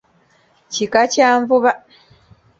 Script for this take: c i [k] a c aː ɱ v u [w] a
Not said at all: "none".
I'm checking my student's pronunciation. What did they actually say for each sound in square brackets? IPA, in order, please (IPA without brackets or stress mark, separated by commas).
k, β